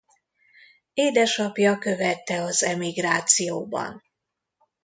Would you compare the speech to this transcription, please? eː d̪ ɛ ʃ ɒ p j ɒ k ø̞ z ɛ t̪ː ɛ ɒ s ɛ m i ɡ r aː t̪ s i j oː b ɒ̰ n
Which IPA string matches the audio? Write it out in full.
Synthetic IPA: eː d̪ ɛ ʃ ɒ p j ɒ k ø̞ v ɛ t̪ː ɛ ɒ z ɛ m i ɡ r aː t̪ s i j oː b ɒ̰ n